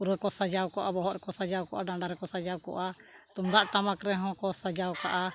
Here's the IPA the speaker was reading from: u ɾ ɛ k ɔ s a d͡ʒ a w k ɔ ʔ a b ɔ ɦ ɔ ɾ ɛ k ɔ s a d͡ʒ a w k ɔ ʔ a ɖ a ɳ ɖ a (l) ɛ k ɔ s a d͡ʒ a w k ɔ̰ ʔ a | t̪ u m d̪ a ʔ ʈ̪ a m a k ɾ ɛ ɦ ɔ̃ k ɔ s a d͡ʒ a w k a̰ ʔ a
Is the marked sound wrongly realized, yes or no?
yes